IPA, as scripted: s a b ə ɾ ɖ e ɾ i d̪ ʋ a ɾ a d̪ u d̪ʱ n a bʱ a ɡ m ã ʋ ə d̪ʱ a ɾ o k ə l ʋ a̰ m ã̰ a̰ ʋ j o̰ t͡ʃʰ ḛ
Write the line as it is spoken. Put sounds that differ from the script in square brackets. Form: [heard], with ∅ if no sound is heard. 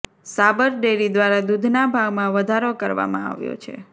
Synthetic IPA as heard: s a b ə ɾ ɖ e ɾ i d̪ ʋ a ɾ a d̪ u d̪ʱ n a bʱ a ɡ m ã ʋ ə d̪ʱ a ɾ o k ə [ɾ] ʋ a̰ m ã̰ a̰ ʋ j o̰ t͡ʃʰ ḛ